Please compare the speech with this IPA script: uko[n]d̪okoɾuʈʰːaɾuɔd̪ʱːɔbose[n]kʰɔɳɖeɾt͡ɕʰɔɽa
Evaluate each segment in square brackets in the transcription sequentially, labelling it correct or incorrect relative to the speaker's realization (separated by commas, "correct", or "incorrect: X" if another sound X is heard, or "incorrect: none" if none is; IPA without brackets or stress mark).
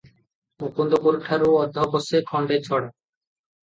correct, incorrect: none